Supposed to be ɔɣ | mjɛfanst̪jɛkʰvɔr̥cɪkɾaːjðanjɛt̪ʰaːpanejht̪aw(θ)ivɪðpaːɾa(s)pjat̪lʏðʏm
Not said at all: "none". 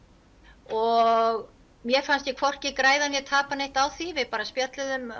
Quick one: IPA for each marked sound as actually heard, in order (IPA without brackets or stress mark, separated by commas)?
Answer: θ, s